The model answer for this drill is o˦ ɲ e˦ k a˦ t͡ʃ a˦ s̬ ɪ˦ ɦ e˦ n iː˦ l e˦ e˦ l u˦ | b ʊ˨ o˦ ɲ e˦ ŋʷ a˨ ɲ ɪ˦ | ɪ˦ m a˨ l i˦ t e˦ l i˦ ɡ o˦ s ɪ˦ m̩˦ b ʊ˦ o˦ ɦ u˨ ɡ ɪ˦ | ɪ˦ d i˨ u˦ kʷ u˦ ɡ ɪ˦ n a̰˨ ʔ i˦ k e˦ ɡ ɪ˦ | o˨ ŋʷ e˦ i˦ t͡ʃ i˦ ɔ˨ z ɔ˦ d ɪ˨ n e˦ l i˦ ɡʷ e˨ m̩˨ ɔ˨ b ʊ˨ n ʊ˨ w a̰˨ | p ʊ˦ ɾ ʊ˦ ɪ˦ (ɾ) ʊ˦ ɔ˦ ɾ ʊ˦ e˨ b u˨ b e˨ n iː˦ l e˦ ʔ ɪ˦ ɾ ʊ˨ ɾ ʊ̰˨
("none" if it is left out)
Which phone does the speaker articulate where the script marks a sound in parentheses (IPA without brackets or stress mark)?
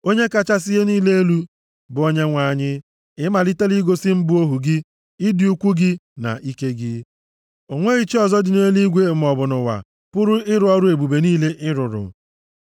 ɾ